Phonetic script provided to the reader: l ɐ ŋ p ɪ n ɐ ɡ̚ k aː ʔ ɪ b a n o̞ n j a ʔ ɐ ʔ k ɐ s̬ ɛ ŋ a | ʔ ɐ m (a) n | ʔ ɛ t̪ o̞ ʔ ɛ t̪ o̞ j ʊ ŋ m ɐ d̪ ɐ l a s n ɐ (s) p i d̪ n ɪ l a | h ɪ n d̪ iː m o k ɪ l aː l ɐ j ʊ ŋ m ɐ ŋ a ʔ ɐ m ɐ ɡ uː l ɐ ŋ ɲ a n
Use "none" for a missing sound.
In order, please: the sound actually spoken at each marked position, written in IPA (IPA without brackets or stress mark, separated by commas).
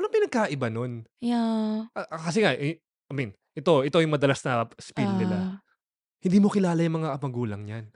i, s